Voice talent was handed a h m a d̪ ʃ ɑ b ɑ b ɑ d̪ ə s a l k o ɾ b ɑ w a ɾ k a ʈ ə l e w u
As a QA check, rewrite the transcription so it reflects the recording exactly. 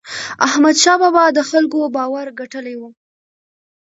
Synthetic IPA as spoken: a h m a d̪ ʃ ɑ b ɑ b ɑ d̪ ə x a l k o b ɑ w a ɾ ɡ a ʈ ə l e w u

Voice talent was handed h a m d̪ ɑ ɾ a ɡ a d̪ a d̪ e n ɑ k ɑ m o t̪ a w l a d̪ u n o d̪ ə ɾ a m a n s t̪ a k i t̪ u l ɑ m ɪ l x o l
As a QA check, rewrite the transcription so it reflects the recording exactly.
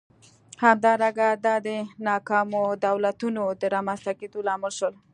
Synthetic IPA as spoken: h a m d̪ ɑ ɾ a ɡ a d̪ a d̪ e n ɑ k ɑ m o d̪ a w l a t̪ u n o d̪ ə ɾ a m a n s t̪ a k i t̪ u l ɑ m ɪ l ʃ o l

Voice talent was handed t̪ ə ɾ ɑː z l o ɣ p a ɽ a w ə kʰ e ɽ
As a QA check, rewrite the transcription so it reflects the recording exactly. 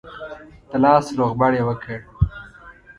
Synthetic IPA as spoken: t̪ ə l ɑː s l o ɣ b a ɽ e w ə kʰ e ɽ

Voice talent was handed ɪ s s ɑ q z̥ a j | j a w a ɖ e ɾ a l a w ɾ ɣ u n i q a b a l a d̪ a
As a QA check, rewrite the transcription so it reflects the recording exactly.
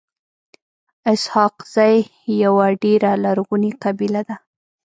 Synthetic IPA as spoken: ɪ s h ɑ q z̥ a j | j a w a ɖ e ɾ a l a ɾ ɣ u n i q a b i l a d̪ a

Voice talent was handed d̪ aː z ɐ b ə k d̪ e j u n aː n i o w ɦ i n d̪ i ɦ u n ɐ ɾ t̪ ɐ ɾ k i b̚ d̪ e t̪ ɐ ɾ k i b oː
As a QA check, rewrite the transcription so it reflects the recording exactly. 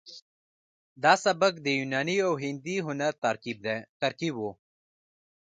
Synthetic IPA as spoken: d̪ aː s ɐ b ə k d̪ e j u n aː n i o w ɦ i n d̪ i ɦ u n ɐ ɾ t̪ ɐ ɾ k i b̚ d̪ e t̪ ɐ ɾ k i b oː

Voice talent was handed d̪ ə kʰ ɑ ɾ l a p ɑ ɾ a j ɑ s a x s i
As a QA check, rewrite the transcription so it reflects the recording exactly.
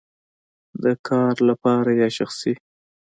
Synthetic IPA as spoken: d̪ ə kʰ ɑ ɾ l a p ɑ ɾ a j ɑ ʃ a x s i

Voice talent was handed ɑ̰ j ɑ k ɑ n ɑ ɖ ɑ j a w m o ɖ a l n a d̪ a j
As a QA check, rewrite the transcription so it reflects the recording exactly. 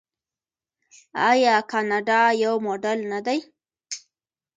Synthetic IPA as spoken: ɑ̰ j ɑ k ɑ n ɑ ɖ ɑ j a w m o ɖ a l n a d̪ a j

